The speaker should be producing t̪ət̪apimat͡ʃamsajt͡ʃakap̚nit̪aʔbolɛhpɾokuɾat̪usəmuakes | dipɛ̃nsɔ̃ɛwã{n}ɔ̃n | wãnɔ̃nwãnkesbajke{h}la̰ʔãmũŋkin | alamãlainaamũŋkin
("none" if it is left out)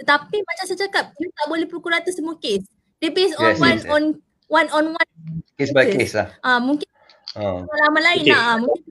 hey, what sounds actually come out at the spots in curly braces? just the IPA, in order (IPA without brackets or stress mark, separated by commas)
n, s